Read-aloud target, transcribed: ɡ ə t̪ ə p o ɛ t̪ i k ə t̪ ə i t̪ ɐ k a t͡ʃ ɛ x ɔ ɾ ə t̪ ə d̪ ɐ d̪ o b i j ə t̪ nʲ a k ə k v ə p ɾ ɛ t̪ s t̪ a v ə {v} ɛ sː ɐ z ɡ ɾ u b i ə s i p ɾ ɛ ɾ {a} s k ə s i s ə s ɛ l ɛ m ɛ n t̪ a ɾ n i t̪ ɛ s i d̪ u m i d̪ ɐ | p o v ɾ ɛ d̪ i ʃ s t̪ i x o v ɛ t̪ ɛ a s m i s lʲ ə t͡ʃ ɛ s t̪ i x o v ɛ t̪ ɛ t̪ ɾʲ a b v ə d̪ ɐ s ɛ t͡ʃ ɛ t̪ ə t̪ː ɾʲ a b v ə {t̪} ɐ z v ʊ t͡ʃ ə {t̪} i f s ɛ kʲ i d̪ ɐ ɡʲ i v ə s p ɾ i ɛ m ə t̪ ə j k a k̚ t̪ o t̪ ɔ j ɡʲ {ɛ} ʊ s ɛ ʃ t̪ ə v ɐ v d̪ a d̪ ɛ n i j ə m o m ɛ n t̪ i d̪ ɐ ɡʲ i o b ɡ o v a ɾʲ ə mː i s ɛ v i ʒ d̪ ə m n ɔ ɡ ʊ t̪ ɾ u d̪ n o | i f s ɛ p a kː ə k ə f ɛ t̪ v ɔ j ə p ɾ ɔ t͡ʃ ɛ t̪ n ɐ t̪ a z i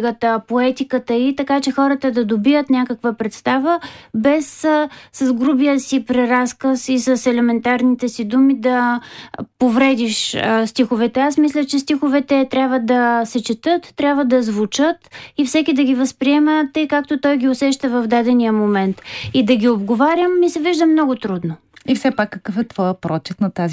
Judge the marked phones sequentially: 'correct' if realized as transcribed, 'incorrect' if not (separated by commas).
incorrect, correct, incorrect, correct, incorrect